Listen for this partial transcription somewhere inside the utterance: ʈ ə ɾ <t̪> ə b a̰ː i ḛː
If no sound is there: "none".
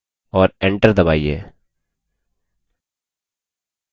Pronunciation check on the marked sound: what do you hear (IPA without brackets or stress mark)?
d̪